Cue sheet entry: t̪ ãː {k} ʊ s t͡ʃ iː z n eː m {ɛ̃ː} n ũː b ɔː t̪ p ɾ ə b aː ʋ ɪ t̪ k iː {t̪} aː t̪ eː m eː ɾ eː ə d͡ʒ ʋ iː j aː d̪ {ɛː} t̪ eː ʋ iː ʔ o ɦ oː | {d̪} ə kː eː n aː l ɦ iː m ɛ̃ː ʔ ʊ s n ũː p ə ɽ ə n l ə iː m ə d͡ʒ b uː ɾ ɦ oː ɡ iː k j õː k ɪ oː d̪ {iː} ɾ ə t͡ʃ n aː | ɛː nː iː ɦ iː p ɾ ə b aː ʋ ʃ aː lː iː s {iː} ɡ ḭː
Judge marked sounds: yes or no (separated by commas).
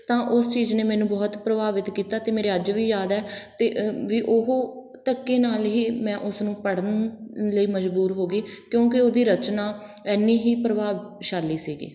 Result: no, no, yes, yes, no, yes, yes